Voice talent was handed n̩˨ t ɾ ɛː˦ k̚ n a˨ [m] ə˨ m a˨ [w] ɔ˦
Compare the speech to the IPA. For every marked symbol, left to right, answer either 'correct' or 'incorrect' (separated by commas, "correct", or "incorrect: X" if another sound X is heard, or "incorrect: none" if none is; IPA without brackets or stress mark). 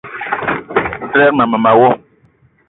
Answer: correct, correct